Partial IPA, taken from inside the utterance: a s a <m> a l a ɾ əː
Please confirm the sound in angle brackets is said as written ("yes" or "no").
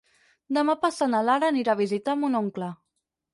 no